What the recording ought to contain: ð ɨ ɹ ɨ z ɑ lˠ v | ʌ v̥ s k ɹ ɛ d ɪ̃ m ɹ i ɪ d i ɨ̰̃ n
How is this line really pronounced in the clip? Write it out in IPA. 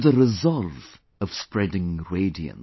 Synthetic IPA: ð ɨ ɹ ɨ z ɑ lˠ v | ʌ v̥ s p ɹ ɛ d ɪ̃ ŋ ɹ e ɪ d i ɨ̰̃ n